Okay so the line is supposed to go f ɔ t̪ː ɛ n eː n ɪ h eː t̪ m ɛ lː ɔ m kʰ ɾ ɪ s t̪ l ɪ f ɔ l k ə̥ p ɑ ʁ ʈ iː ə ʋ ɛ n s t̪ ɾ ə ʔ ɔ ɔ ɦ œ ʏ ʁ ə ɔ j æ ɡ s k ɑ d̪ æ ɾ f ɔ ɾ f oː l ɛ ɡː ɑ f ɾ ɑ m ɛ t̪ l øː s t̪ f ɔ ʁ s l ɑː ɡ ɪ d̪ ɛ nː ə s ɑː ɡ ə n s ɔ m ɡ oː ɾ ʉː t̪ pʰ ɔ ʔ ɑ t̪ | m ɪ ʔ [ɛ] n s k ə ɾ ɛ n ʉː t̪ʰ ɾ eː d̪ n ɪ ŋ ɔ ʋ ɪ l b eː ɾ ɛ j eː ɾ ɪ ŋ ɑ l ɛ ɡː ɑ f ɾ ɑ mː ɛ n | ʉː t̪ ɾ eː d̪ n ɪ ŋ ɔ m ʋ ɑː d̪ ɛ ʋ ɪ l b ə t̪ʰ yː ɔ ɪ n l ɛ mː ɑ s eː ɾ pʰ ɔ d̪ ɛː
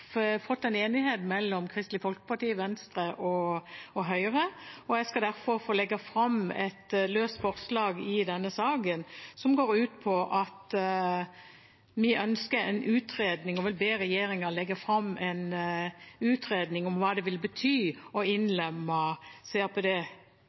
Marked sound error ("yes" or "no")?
yes